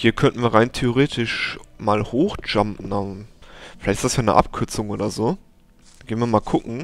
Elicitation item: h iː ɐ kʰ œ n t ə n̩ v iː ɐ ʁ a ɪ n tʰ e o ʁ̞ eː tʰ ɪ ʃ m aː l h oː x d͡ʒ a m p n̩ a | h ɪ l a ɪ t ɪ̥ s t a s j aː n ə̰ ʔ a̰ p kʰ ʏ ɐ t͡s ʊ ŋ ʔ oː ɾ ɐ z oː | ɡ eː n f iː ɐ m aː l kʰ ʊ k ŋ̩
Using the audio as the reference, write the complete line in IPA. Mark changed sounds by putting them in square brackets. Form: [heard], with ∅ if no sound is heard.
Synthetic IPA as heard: h iː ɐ kʰ œ n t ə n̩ v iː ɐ ʁ a ɪ n tʰ e o ʁ̞ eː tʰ ɪ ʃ m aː l h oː x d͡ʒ a m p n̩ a | [f] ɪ l a ɪ t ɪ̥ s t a s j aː n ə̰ ʔ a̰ p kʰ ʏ ɐ t͡s ʊ ŋ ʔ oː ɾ ɐ z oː | ɡ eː n [v] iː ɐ m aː l kʰ ʊ k ŋ̩

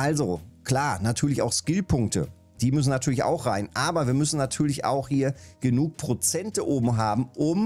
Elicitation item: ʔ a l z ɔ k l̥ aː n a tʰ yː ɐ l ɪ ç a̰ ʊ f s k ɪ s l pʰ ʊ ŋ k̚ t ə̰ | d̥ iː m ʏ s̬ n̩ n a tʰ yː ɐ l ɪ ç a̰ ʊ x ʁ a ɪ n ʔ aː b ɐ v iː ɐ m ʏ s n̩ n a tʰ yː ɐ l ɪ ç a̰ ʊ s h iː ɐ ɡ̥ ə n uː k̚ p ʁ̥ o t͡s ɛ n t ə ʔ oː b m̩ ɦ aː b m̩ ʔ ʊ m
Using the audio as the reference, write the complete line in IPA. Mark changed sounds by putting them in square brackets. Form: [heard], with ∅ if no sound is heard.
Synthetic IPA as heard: ʔ a l z [o] k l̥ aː n a tʰ yː ɐ l ɪ ç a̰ ʊ [x] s k ɪ [∅] l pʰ ʊ ŋ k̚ t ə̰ | d̥ iː m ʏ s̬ n̩ n a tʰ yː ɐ l ɪ ç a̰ ʊ x ʁ a ɪ n ʔ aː b ɐ v iː ɐ m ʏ s n̩ n a tʰ yː ɐ l ɪ ç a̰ ʊ [x] h iː ɐ ɡ̥ ə n uː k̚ p ʁ̥ o t͡s ɛ n t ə ʔ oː b m̩ ɦ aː b m̩ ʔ ʊ m

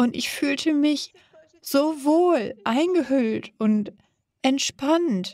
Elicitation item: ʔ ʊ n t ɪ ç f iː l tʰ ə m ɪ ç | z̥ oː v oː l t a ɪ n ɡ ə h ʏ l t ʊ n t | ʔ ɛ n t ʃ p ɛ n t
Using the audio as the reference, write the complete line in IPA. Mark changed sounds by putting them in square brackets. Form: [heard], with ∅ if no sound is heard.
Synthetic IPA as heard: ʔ ʊ n t ɪ ç f [yː] l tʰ ə m ɪ ç | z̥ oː v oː l [ʔ] a ɪ n ɡ ə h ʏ l t ʊ n t | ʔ ɛ n t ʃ p [a] n t

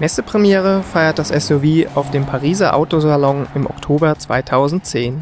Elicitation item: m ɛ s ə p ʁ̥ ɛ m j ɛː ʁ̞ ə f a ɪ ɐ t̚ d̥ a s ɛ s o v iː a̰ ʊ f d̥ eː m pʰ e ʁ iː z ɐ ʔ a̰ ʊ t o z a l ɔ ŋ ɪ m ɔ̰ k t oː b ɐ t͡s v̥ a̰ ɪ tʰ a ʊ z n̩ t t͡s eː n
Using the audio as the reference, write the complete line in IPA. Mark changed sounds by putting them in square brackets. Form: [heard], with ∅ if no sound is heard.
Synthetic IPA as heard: m ɛ s ə p ʁ̥ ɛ m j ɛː ʁ̞ ə f a ɪ ɐ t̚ d̥ a s ɛ s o v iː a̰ ʊ f d̥ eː m pʰ [a] ʁ iː z ɐ ʔ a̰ ʊ t o z a l ɔ ŋ ɪ m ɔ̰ k [tʰ] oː b ɐ t͡s v̥ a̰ ɪ tʰ a ʊ z n̩ t t͡s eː n

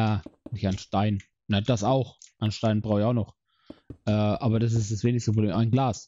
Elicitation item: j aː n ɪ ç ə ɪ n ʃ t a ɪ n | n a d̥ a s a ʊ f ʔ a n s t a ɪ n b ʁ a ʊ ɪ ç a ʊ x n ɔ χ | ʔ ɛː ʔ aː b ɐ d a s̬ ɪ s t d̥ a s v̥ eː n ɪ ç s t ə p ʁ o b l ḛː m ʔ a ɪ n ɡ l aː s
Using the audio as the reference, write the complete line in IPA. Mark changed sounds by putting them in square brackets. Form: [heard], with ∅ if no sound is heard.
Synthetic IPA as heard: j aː n ɪ ç [a] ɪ n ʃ t a ɪ n | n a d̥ a s a ʊ [x] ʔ a n [ʃ] t a ɪ n b ʁ a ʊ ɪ ç a ʊ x n ɔ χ | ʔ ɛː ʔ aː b ɐ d a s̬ ɪ s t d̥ a s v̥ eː n ɪ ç s t ə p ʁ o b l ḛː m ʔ a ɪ n ɡ l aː s

